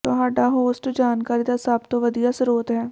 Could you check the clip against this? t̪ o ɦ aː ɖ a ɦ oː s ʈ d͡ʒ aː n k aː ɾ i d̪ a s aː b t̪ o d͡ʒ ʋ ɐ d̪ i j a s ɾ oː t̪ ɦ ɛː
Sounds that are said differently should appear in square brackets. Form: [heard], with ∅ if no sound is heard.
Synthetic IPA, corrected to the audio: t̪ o ɦ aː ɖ a ɦ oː s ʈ d͡ʒ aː n k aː ɾ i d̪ a s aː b t̪ o [∅] ʋ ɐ d̪ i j a s ɾ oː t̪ ɦ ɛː